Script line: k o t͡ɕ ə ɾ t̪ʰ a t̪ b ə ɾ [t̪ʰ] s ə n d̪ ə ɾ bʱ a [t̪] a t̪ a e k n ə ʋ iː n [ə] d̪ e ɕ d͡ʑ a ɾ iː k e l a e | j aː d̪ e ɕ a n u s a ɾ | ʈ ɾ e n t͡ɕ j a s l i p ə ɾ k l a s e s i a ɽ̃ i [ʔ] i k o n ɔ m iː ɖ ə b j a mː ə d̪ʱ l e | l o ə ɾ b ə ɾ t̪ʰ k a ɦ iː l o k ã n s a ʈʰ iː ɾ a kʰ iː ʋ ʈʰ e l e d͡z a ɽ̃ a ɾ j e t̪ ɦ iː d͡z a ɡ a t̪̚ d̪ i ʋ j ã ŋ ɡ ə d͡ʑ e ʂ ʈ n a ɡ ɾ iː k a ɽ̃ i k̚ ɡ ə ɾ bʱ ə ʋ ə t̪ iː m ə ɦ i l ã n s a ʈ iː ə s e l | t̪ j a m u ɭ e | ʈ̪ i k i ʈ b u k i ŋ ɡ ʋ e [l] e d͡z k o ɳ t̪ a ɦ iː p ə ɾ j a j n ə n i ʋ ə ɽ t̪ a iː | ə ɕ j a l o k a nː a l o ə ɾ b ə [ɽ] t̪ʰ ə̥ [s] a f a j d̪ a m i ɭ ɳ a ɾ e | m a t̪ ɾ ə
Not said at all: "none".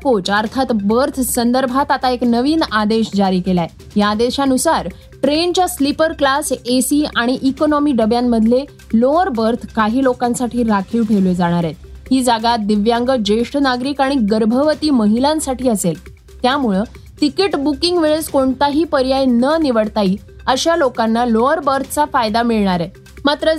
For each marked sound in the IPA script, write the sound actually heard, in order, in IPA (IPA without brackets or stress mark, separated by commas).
t̪ʰ, t̪, a, ʔ, ɭ, ɾ, t͡s